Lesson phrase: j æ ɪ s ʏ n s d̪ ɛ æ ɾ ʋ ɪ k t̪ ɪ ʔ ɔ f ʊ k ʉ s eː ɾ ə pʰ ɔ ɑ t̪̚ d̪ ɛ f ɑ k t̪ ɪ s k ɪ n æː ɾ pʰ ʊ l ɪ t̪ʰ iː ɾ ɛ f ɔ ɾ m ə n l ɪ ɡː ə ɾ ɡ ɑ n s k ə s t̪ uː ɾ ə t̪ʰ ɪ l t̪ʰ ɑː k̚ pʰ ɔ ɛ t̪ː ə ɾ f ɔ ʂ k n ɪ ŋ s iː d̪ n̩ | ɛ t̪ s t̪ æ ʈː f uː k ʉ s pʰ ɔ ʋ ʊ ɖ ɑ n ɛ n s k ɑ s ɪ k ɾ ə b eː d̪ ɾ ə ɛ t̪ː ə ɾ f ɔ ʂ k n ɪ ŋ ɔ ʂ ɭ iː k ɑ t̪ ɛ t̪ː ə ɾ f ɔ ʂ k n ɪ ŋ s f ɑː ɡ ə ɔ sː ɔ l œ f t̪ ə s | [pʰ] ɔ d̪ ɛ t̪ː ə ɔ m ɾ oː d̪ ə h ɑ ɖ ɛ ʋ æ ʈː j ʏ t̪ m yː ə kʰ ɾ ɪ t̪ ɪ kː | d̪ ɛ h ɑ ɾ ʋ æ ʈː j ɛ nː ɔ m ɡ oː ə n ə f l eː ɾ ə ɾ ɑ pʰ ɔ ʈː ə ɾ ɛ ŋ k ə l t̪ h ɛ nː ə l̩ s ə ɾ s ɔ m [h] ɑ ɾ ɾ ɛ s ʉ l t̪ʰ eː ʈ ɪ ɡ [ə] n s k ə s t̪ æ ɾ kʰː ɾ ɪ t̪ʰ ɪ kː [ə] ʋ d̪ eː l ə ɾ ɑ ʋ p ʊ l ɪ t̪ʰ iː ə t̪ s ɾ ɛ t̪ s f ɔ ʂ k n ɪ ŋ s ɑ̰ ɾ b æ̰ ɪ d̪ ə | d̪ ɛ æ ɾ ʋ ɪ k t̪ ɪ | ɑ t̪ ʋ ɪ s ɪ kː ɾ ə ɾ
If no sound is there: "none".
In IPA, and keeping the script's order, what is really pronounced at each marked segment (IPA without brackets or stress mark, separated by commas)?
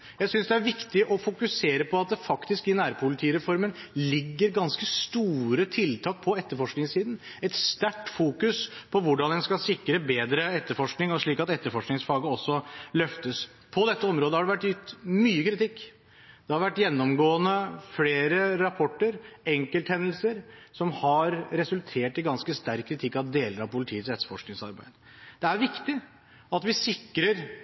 pʰ, h, ɑ, ɑ